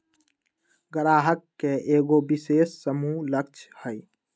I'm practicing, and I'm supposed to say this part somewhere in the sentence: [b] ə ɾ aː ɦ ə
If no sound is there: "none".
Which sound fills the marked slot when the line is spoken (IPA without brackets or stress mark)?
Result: ɡ